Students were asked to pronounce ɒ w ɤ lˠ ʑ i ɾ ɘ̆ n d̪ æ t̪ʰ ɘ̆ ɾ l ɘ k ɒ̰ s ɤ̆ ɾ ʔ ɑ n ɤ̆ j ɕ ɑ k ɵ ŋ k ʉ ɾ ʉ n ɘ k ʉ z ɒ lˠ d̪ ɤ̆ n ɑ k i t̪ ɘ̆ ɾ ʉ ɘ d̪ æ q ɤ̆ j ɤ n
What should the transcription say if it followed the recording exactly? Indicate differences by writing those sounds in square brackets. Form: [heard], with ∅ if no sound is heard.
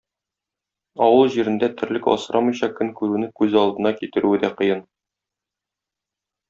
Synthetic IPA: ɒ w ɤ lˠ ʑ i ɾ ɘ̆ n d̪ æ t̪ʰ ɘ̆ ɾ l ɘ k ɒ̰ s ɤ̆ ɾ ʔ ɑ [m] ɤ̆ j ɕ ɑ k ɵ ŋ k ʉ ɾ ʉ n ɘ k ʉ z ɒ lˠ d̪ ɤ̆ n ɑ k i t̪ ɘ̆ ɾ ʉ ɘ d̪ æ q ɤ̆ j ɤ n